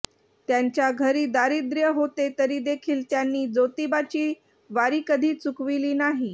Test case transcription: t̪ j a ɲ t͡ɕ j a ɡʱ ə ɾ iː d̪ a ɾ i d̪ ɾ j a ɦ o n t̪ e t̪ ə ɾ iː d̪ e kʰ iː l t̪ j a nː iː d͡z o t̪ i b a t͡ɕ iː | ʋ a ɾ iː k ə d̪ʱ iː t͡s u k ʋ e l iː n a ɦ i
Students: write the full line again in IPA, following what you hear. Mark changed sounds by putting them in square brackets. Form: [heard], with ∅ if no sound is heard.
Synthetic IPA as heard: t̪ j a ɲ t͡ɕ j a ɡʱ ə ɾ iː d̪ a ɾ i d̪ ɾ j [ə] ɦ o [∅] t̪ e t̪ ə ɾ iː d̪ e kʰ iː l t̪ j a nː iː d͡z o t̪ i b a t͡ɕ iː | ʋ a ɾ iː k ə d̪ʱ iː t͡s u k ʋ [i] l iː n a ɦ i